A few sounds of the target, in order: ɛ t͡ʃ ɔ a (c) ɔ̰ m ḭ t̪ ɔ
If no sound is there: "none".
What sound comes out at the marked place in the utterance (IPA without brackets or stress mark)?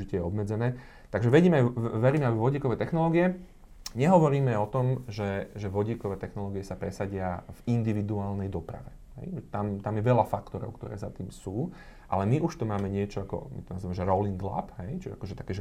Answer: k